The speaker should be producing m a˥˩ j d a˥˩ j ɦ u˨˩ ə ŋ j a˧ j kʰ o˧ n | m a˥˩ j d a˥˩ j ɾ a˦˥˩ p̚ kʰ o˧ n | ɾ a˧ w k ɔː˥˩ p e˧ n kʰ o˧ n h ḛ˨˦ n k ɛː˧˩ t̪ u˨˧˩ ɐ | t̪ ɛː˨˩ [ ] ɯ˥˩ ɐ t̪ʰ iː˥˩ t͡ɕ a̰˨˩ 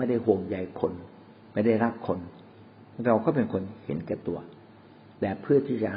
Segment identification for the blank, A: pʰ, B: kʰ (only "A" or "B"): A